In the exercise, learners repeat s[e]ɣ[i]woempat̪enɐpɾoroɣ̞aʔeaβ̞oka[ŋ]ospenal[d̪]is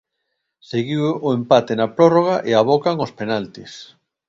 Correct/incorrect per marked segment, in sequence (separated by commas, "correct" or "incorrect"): correct, correct, correct, incorrect